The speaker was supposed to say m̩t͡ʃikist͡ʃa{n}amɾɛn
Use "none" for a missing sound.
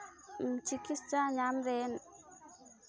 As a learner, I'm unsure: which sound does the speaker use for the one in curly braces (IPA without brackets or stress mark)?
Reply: ɲ